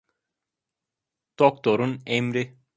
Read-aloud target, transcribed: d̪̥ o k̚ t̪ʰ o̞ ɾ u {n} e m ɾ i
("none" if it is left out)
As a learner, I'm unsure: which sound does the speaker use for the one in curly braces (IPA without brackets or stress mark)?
n